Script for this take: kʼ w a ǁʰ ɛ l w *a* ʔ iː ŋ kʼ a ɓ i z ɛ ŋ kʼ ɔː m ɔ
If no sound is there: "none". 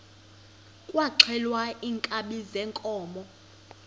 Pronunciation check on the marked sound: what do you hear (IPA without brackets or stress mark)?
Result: a